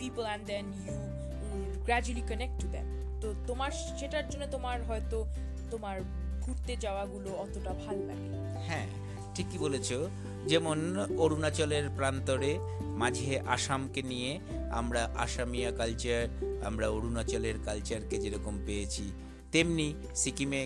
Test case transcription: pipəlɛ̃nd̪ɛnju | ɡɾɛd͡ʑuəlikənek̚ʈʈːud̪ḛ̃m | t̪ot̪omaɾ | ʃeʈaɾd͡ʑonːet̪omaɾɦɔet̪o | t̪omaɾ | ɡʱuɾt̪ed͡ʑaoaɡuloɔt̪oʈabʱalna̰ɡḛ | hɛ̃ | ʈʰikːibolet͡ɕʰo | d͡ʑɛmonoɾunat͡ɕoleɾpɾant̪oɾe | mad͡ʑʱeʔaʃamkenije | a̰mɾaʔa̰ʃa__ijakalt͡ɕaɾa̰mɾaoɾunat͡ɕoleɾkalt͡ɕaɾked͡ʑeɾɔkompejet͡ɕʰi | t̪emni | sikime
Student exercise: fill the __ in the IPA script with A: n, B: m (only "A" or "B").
B